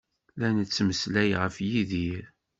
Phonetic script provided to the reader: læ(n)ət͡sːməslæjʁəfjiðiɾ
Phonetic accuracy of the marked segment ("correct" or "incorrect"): correct